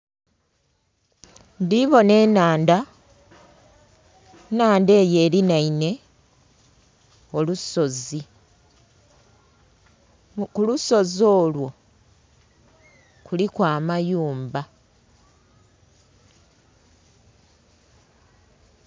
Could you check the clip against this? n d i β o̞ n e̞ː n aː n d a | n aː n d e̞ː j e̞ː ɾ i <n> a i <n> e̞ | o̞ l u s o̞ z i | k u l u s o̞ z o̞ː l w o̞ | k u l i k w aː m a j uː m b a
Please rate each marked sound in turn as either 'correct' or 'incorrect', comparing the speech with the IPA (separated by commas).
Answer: correct, correct